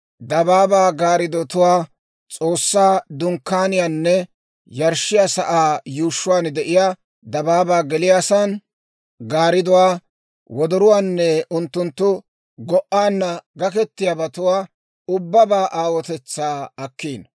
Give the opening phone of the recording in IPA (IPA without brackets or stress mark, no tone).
d̪